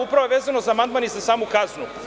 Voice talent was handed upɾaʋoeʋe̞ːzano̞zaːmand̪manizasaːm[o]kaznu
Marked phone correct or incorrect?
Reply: incorrect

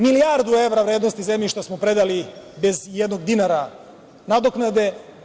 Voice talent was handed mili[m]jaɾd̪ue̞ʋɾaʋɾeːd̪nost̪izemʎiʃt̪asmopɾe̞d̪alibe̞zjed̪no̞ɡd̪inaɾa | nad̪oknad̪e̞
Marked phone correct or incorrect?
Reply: incorrect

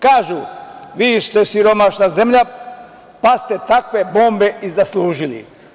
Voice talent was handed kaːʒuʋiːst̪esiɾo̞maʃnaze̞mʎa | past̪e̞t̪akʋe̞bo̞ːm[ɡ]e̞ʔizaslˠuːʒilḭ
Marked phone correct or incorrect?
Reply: incorrect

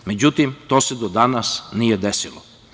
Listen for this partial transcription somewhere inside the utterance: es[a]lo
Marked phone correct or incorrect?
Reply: incorrect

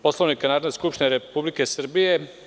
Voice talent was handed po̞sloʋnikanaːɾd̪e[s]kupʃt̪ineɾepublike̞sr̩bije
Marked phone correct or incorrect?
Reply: correct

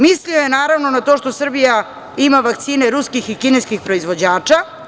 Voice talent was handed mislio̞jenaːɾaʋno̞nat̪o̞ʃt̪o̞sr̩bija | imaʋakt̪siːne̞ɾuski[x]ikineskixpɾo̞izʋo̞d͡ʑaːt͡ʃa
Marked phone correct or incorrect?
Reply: correct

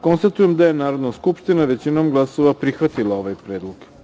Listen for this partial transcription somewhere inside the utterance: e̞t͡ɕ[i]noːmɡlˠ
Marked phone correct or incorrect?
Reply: correct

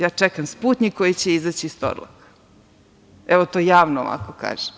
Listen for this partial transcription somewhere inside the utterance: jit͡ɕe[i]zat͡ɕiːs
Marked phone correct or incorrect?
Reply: correct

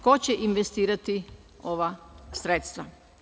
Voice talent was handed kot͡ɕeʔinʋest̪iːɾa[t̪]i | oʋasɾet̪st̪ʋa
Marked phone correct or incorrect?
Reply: correct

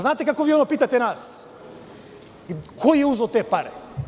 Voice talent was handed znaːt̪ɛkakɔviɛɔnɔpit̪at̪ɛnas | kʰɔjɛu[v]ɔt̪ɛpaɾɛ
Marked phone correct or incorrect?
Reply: incorrect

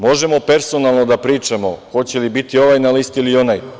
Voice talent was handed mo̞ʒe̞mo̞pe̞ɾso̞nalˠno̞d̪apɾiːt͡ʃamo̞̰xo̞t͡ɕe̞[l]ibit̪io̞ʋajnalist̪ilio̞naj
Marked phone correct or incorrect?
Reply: correct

